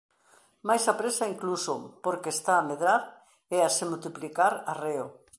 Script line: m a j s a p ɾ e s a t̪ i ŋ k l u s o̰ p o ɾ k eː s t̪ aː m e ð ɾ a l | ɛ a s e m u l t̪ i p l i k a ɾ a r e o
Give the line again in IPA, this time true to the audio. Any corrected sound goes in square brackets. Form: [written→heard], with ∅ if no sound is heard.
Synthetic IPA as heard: m a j s a p ɾ e s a [t̪→∅] i ŋ k l u s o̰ p o ɾ k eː s t̪ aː m e ð ɾ a [l→ɾ] | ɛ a s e m u l t̪ i p l i k a ɾ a r e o